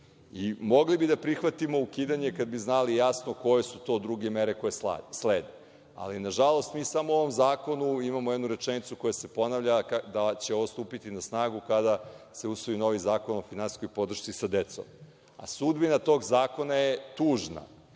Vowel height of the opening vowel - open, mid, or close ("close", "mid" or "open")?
close